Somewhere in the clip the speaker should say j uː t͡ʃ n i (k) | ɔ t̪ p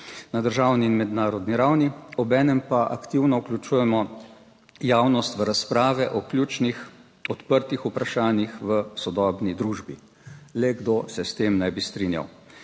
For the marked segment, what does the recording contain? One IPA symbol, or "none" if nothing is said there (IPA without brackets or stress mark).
x